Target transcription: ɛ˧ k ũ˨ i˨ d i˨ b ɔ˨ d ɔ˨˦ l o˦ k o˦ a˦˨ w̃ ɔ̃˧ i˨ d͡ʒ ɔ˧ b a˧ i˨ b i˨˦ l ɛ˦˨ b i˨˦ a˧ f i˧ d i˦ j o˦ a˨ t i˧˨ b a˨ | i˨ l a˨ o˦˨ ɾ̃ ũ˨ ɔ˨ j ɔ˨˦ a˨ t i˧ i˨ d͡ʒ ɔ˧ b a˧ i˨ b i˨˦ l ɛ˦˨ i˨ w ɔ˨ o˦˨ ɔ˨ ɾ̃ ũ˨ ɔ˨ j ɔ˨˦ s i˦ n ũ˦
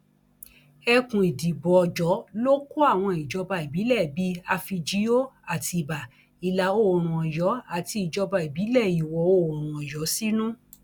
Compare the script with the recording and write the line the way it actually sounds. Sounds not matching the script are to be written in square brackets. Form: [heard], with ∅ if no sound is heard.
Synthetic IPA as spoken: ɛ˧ k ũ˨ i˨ d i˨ b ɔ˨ [d͡ʒ] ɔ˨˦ l o˦ k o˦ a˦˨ w̃ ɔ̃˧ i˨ d͡ʒ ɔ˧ b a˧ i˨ b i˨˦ l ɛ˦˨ b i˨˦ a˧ f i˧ [d͡ʒ] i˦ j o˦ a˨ t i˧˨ b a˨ | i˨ l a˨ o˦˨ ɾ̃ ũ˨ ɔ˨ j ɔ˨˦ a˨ t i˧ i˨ d͡ʒ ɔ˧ b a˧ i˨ b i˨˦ l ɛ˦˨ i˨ w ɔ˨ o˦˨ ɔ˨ ɾ̃ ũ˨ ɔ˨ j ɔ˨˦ s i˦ n ũ˦